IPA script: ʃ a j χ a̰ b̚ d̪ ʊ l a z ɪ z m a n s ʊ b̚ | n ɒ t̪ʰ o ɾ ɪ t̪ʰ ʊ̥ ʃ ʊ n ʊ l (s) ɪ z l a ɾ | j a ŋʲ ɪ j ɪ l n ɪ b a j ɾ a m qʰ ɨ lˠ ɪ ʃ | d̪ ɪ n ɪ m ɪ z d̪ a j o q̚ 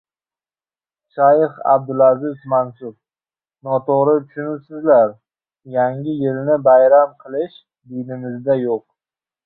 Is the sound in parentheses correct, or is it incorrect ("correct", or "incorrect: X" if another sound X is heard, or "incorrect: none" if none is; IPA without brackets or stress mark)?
correct